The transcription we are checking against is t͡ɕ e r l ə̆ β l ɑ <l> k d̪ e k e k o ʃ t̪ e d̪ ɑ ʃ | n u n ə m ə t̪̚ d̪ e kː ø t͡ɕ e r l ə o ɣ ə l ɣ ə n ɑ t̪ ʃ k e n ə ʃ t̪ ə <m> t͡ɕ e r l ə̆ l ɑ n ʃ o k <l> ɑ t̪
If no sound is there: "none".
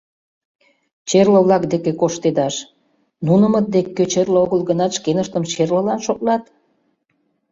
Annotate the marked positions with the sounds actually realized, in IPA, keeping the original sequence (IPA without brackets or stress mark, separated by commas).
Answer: none, m, l